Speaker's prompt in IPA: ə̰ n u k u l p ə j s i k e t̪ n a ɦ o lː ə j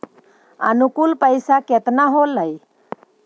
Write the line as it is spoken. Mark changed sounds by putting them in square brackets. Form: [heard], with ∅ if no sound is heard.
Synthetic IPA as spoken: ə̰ n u k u l p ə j s [a] k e t̪ n a ɦ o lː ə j